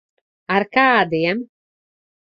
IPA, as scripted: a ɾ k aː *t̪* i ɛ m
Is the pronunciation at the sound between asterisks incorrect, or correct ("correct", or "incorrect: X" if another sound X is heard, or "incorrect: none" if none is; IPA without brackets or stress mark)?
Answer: incorrect: d̪